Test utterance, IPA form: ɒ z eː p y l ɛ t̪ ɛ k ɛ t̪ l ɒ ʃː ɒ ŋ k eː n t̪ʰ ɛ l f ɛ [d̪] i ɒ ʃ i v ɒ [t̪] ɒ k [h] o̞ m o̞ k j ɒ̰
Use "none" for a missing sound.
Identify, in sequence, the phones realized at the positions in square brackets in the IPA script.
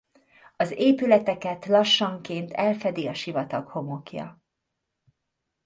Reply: d̪, t̪, h

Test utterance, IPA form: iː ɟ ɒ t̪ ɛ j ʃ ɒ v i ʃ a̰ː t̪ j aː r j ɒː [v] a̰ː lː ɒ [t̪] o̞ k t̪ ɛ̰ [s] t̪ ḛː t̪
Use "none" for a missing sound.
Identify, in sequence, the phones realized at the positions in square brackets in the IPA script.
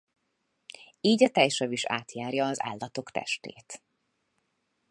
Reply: z, t̪, ʃ

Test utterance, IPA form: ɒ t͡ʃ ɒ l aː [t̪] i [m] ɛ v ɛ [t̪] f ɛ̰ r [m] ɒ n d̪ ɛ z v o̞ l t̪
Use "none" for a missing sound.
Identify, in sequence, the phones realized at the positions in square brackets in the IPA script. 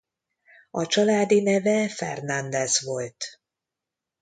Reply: d̪, n, none, n

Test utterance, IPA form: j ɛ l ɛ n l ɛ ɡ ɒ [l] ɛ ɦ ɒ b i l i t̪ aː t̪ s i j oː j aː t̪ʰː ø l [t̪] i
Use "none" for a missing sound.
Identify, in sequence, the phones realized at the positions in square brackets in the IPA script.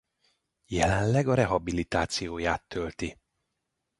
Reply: ɾ, t̪

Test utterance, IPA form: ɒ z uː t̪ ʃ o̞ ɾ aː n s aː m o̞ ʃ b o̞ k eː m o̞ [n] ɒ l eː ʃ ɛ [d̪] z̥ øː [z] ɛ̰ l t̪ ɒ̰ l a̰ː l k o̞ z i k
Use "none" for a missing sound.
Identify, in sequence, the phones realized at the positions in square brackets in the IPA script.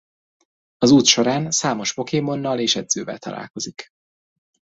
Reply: nː, d̪, v

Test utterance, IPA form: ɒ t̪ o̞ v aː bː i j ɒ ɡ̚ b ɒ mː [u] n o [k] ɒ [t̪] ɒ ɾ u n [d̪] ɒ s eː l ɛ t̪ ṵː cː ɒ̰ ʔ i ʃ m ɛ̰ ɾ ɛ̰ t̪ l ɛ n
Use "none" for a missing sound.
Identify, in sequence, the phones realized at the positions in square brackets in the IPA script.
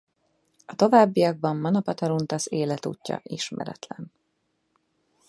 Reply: ɒ, p, t̪, t̪

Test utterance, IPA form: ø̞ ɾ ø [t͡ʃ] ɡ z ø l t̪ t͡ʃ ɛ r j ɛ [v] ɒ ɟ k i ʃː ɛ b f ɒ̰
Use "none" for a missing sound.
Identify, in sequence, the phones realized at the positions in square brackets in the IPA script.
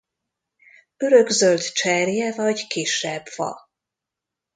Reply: none, v

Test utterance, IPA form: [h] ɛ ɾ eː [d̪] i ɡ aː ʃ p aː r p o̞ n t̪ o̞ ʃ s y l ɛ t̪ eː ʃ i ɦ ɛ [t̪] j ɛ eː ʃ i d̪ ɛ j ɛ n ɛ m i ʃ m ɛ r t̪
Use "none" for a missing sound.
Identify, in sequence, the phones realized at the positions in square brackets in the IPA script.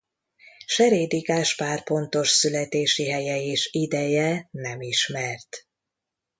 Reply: ʃ, d̪, none

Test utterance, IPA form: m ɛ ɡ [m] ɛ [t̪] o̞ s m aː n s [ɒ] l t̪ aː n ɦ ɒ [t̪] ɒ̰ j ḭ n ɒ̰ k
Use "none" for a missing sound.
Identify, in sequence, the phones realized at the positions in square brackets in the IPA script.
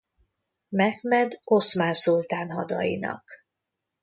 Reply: m, d̪, u, d̪

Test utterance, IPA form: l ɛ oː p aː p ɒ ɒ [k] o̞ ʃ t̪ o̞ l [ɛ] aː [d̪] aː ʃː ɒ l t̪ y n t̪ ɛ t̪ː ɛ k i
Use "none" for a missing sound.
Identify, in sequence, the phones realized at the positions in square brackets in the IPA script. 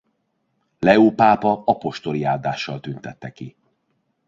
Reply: p, i, d̪

